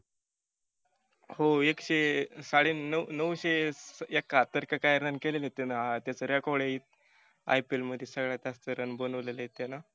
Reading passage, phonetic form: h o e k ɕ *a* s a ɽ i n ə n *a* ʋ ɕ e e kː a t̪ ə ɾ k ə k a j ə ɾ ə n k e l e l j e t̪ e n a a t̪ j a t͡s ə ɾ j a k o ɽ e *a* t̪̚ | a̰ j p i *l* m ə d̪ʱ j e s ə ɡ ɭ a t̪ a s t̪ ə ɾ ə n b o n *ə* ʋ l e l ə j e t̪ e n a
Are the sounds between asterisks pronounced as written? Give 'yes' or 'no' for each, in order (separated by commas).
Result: no, no, no, yes, yes